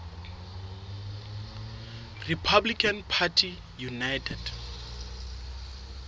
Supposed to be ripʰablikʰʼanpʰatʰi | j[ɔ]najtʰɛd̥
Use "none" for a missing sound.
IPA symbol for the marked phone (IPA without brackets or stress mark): u